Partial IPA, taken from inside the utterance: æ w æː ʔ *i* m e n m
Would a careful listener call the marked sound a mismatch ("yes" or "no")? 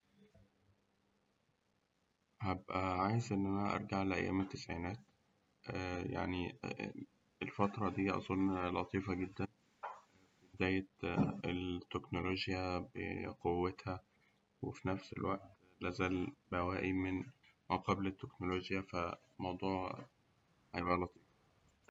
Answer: no